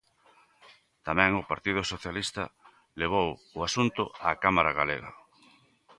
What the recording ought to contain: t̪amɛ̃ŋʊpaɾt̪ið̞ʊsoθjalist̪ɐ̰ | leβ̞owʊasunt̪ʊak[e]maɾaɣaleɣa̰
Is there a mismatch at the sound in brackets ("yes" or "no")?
yes